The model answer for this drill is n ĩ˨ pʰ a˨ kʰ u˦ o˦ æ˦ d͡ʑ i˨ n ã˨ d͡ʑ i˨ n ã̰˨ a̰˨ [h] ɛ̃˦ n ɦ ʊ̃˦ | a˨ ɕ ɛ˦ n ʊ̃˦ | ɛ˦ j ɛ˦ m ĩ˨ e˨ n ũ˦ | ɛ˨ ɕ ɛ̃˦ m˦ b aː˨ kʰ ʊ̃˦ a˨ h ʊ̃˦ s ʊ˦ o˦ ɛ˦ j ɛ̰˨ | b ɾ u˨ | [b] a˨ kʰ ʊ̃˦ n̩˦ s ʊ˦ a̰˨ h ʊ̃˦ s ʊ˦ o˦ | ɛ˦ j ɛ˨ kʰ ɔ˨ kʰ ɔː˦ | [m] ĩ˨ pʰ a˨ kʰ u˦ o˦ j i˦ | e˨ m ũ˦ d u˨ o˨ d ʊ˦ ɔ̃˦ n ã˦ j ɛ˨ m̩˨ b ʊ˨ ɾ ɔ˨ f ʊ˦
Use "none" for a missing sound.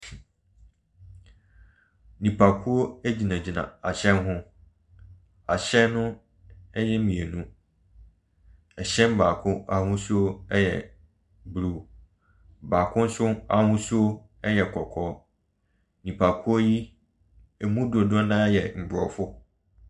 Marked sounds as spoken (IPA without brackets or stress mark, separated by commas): ɕ, b, n